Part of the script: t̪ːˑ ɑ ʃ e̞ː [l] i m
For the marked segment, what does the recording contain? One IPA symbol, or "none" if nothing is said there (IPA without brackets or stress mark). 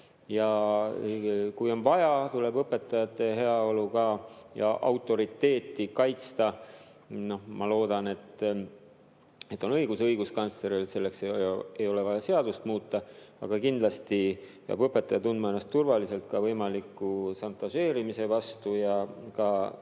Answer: ɾ